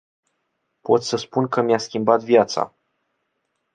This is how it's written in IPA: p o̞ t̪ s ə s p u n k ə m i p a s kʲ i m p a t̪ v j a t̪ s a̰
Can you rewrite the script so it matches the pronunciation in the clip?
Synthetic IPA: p o̞ t̪ s ə s p u n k ə m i a s kʲ i m b a t̪ v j a t̪ s a̰